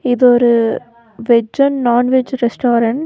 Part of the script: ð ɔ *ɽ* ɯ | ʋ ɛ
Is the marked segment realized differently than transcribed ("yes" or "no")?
yes